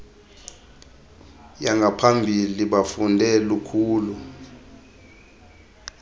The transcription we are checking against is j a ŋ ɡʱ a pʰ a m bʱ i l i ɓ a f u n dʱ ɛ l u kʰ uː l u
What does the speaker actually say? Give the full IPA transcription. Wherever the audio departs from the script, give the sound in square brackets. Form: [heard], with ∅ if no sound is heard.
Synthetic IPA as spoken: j a ŋ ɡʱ a pʰ a m bʱ i l i ɓ a f u n dʱ ɛ l u kʰ uː l u